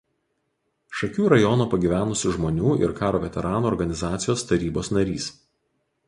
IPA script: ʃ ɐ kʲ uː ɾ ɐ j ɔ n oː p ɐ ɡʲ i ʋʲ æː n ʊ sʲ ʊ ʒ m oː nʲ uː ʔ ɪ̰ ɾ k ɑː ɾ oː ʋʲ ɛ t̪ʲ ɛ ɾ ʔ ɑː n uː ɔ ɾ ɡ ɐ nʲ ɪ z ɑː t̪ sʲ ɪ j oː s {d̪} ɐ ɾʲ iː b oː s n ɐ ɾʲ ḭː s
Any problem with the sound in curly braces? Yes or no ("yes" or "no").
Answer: yes